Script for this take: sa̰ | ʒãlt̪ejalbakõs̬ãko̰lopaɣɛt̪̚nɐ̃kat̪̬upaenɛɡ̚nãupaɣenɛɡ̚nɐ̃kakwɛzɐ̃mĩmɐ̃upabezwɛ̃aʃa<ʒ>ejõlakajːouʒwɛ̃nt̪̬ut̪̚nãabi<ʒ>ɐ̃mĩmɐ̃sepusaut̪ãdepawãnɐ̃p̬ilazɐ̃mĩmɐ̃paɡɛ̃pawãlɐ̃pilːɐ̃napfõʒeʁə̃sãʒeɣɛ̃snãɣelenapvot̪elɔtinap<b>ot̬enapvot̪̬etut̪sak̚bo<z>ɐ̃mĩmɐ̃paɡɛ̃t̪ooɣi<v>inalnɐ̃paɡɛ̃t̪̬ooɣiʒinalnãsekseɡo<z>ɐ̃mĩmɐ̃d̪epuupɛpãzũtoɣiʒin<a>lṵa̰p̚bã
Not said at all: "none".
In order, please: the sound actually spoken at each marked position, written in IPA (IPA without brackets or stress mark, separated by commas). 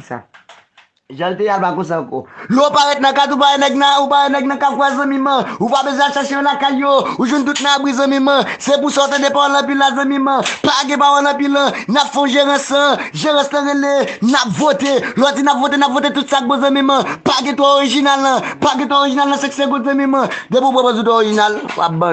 ʃ, z, v, z, ʒ, z, a